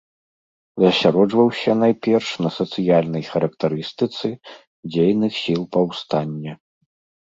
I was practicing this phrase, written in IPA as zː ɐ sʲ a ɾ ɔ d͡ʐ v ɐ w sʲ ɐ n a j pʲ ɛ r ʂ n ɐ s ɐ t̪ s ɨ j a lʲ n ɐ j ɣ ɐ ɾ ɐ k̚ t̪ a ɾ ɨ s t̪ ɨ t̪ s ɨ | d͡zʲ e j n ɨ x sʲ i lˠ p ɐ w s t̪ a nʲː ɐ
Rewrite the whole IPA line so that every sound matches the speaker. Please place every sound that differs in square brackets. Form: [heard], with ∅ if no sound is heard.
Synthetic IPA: [z] ɐ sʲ a ɾ ɔ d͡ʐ v ɐ w sʲ ɐ n a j pʲ ɛ r ʂ n ɐ s ɐ t̪ s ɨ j a lʲ n ɐ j [x] ɐ ɾ ɐ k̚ t̪ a ɾ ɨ s t̪ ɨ t̪ s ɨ | d͡zʲ e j n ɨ x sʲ i lˠ p ɐ w s t̪ a nʲː ɐ

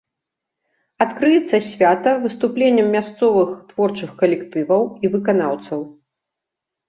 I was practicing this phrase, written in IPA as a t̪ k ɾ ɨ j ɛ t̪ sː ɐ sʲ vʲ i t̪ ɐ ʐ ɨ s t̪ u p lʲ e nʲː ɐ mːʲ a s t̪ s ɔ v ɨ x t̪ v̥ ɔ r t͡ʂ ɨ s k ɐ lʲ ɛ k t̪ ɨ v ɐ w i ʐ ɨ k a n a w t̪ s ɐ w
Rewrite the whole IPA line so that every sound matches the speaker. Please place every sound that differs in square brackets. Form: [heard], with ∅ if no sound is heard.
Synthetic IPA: a t̪ k ɾ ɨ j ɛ t̪ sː ɐ sʲ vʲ [a] t̪ ɐ [v] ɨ s t̪ u p lʲ e nʲː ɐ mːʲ a s t̪ s ɔ v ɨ x t̪ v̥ ɔ r t͡ʂ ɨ [x] k ɐ lʲ ɛ k t̪ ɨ v ɐ w i [v] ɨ k a n a w t̪ s ɐ w

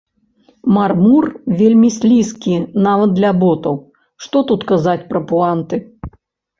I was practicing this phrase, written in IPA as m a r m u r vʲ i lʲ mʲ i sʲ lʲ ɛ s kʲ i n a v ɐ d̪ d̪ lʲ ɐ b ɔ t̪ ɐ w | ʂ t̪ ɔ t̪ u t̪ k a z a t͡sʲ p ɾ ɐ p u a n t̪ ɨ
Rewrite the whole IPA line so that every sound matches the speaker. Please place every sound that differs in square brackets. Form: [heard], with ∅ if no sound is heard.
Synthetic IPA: m a r m u r vʲ [e] lʲ mʲ i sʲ lʲ [i] s kʲ i n a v ɐ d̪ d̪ lʲ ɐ b ɔ t̪ ɐ w | ʂ t̪ ɔ t̪ u t̪ k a z a t͡sʲ p ɾ ɐ p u a n t̪ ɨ

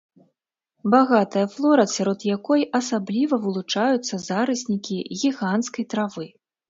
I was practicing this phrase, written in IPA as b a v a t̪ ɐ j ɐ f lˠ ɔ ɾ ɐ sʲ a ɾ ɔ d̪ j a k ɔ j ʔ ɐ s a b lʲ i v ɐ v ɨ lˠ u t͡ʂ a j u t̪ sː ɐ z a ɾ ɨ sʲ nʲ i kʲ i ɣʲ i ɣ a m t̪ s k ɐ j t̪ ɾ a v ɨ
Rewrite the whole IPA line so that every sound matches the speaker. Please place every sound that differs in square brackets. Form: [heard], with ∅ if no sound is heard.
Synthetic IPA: b a [ɣ] a t̪ ɐ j ɐ f lˠ ɔ ɾ ɐ sʲ a ɾ ɔ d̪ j a k ɔ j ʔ ɐ s a b lʲ i v ɐ v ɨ lˠ u t͡ʂ a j u t̪ sː ɐ z a ɾ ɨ sʲ nʲ i kʲ i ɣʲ i ɣ a [n] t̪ s k ɐ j t̪ ɾ a v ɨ

